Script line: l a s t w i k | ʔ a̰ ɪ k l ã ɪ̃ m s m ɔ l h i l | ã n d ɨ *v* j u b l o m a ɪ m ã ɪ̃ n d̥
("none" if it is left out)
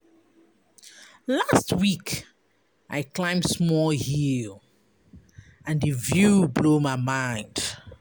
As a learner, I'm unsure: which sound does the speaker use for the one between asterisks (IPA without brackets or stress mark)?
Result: v